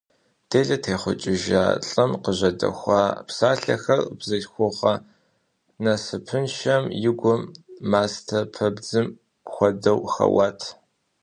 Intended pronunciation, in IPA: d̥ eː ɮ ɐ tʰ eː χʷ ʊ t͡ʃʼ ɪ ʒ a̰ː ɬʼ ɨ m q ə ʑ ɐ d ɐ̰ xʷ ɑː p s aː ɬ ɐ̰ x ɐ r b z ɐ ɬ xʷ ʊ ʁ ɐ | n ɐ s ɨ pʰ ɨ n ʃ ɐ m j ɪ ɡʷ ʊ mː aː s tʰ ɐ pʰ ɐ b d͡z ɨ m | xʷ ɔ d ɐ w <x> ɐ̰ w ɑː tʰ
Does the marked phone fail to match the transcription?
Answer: no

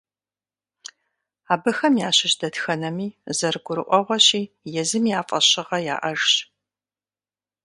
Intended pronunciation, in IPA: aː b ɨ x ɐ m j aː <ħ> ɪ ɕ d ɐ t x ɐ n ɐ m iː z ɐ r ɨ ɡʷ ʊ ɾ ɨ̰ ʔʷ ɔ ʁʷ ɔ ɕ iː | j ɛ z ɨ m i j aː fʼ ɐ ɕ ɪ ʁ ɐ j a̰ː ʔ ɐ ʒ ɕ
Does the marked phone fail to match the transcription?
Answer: yes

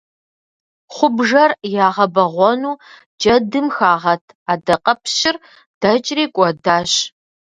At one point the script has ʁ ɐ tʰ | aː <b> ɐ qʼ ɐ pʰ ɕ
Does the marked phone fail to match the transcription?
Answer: yes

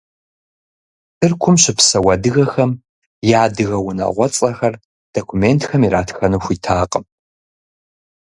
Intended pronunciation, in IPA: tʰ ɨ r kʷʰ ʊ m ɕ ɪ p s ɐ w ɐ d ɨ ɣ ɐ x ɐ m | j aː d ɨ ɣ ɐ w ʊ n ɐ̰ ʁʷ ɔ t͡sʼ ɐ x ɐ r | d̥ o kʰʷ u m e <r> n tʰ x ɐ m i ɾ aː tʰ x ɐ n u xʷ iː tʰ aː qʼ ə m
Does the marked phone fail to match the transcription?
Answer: yes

